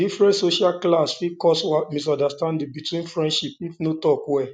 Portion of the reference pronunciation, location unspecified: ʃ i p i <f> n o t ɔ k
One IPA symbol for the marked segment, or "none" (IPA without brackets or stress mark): f